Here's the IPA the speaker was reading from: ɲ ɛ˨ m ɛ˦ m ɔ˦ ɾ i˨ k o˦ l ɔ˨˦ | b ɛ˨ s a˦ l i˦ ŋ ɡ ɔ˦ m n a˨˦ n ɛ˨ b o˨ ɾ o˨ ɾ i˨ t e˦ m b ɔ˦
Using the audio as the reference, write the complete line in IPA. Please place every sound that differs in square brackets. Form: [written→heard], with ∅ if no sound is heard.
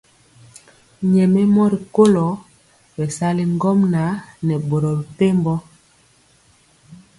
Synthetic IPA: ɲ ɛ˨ m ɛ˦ m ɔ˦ ɾ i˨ k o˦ l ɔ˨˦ | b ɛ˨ s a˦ l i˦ ŋ ɡ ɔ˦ m n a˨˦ n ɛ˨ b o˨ ɾ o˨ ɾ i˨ t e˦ m b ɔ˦